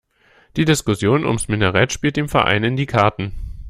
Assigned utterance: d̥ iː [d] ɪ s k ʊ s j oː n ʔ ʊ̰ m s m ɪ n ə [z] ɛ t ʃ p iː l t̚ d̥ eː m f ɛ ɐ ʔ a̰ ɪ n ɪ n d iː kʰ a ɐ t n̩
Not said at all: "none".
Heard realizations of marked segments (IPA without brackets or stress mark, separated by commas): d, ʁ